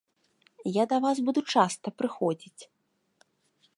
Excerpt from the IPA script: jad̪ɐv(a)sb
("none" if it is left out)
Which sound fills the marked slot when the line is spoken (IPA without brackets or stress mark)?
a